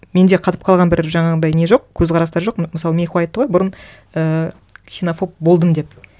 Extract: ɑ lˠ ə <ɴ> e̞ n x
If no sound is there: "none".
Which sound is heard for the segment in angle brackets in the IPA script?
m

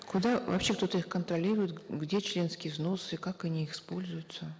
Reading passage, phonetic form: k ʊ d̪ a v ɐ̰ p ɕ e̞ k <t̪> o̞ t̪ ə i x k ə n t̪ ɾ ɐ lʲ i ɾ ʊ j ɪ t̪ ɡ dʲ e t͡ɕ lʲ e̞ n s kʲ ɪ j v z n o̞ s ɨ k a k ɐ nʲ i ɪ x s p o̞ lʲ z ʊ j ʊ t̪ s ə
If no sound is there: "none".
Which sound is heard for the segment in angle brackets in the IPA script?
t̪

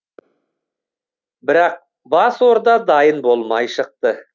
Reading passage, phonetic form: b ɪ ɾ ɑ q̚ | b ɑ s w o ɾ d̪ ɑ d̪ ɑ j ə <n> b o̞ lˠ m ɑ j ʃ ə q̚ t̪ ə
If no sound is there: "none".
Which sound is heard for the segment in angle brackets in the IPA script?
n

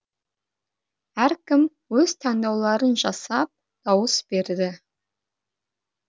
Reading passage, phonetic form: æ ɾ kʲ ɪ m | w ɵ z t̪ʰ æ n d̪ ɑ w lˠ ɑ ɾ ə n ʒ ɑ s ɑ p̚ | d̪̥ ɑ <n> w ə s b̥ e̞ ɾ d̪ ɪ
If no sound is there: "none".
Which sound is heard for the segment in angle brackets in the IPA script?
none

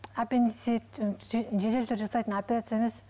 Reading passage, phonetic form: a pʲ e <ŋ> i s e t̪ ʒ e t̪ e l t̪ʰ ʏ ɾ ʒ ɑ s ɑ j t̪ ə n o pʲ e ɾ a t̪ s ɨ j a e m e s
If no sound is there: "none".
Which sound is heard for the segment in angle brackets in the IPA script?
n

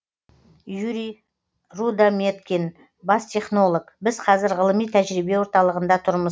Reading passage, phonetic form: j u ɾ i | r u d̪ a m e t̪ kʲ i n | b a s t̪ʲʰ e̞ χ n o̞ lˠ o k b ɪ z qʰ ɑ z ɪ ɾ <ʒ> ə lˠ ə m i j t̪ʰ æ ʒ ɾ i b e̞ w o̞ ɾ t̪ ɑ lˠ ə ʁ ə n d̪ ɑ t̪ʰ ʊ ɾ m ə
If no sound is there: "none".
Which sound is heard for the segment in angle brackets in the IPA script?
ʁ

